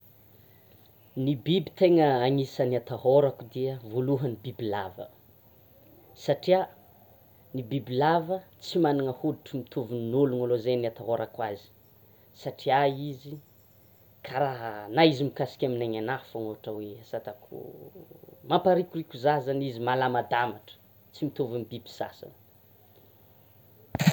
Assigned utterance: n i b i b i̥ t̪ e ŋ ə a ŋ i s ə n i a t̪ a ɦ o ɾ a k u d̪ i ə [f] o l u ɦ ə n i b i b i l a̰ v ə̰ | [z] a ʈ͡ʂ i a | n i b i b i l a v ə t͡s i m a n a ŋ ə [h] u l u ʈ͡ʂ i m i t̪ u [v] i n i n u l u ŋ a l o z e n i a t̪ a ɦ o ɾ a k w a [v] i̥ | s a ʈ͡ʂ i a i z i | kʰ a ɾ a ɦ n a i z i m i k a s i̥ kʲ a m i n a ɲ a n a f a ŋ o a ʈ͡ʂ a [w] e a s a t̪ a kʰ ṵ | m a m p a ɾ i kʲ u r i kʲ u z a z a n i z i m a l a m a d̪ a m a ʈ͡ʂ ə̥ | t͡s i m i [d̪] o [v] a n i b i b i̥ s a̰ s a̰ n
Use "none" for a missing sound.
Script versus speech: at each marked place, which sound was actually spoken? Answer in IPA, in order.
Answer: v, s, h, v, z, w, t̪, v

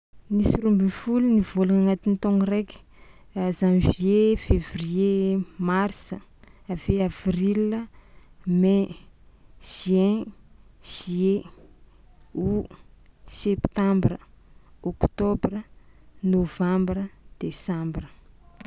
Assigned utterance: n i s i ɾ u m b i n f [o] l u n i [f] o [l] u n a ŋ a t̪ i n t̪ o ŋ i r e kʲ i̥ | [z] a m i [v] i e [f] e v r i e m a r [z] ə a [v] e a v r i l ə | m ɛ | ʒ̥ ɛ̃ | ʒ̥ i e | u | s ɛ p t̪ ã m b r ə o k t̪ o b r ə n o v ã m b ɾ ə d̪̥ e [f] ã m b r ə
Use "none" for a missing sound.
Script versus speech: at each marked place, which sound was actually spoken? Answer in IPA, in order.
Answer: u, v, l, z, v, f, s, v, s

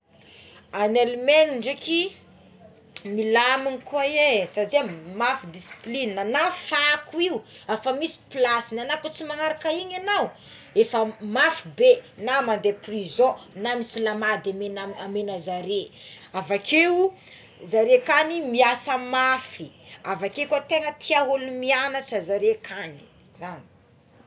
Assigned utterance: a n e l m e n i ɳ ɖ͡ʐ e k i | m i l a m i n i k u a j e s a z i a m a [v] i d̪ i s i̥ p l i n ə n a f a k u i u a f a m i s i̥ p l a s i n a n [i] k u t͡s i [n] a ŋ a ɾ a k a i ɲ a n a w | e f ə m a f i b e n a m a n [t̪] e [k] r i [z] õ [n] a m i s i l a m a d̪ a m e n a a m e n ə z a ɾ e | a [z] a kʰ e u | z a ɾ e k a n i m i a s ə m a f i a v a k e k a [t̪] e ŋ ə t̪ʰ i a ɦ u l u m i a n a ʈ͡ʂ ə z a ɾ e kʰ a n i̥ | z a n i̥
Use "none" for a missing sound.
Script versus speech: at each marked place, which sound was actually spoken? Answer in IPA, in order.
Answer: f, a, m, d̪, p, z, n, v, t̪

